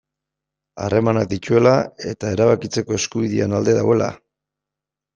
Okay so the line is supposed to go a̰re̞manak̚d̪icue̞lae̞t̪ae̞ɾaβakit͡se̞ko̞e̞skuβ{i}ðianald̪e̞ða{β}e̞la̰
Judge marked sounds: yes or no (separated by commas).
yes, no